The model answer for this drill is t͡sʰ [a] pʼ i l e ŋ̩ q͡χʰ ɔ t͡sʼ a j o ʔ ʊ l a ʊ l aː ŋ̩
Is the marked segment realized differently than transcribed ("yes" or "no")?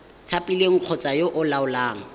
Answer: no